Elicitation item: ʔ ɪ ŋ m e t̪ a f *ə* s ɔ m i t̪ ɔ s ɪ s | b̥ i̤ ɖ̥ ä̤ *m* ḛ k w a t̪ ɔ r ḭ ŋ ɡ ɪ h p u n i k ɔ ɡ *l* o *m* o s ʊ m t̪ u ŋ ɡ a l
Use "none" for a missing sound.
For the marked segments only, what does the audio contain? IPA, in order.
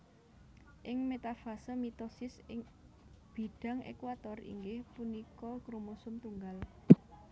a, ŋ, ɾ, m

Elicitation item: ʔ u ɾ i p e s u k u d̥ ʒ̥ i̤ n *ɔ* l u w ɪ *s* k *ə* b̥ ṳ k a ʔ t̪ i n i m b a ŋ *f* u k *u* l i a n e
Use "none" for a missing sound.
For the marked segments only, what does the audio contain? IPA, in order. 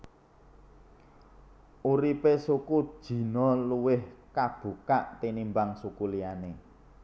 ɔ, h, a, s, u

